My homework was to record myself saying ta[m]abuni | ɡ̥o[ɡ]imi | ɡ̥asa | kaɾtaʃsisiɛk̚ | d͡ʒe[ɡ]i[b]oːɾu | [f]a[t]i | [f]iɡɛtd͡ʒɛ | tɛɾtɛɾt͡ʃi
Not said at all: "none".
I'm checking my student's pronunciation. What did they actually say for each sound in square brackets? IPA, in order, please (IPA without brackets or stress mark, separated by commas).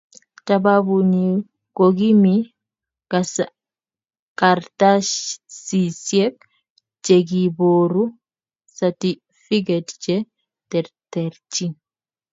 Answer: b, ɡ, ɡ, b, s, t, f